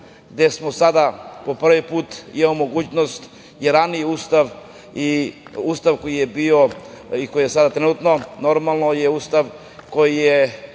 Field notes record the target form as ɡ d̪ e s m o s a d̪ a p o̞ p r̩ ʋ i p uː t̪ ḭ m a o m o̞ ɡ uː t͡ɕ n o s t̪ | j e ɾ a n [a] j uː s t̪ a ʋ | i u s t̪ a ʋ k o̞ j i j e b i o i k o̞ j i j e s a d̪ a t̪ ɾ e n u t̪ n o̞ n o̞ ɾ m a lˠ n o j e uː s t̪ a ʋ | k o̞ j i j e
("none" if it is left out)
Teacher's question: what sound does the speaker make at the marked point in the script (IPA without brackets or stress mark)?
i